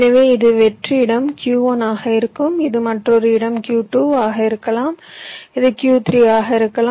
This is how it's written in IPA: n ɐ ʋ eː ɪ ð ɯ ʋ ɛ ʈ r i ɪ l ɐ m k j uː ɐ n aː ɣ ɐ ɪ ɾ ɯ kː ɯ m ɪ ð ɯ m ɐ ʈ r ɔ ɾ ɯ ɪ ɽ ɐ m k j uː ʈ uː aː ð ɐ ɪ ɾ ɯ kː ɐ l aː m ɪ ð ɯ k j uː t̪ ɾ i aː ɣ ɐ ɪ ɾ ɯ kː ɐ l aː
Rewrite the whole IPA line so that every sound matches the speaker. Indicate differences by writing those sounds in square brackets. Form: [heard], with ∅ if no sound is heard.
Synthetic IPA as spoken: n ɐ ʋ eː ɪ ð ɯ ʋ ɛ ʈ r i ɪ [ɽ] ɐ m k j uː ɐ n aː ɣ ɐ ɪ ɾ ɯ kː ɯ m ɪ ð ɯ m ɐ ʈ r ɔ ɾ ɯ ɪ ɽ ɐ m k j uː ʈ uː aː [ɣ] ɐ ɪ ɾ ɯ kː ɐ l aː m ɪ ð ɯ k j uː t̪ ɾ i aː ɣ ɐ ɪ ɾ ɯ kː ɐ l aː

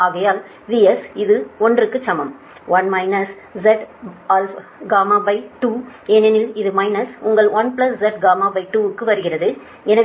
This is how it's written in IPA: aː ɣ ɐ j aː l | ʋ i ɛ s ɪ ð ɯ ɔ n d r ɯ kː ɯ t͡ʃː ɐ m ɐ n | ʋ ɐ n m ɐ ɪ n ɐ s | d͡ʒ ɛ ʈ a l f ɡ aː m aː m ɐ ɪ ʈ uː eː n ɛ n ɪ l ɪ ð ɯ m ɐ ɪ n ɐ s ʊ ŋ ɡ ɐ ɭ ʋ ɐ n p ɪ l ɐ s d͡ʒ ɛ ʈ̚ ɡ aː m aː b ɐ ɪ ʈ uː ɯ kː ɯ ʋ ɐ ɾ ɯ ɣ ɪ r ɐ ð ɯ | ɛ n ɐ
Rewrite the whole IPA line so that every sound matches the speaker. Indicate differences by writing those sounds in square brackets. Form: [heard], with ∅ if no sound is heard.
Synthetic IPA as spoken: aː ɣ ɐ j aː l | ʋ i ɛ s ɪ ð ɯ ɔ n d r ɯ kː ɯ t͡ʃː ɐ m ɐ [m] | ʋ ɐ n m ɐ ɪ n ɐ s | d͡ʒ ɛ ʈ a l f ɡ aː m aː [b] ɐ ɪ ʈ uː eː n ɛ n ɪ l ɪ ð ɯ m ɐ ɪ n ɐ s ʊ ŋ ɡ ɐ ɭ ʋ ɐ n p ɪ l ɐ s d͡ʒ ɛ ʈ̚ ɡ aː m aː b ɐ ɪ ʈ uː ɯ kː ɯ ʋ ɐ ɾ ɯ ɣ ɪ r ɐ ð ɯ | ɛ n ɐ

